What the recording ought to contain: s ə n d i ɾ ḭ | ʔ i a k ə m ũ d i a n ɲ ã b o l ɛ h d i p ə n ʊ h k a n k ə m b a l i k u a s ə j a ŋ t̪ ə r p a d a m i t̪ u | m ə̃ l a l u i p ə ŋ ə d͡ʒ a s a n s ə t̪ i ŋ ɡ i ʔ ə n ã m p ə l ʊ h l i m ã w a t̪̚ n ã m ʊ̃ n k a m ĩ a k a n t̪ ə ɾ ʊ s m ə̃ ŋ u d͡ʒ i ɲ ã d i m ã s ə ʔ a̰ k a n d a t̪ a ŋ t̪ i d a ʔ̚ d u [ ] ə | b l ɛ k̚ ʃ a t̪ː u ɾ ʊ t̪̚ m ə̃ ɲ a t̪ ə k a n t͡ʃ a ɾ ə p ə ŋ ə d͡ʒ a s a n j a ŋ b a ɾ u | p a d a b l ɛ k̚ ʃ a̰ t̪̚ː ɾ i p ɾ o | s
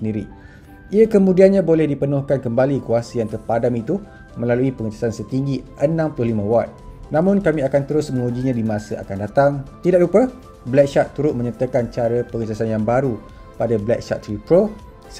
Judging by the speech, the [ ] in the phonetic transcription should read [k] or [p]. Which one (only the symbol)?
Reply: p